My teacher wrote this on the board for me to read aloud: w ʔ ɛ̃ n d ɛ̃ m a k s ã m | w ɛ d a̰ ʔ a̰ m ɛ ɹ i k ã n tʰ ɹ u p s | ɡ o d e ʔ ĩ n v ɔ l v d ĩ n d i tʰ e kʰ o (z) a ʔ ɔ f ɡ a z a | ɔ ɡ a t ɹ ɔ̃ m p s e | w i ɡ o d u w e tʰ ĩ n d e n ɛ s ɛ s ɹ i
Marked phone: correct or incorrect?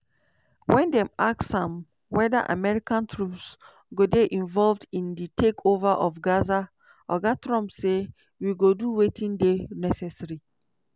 incorrect